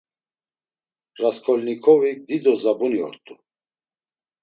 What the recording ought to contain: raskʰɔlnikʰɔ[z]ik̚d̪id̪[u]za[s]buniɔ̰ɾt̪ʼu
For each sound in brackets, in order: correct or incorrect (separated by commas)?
incorrect, incorrect, incorrect